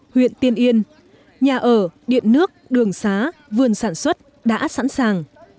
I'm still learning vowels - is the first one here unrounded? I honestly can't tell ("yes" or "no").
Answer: yes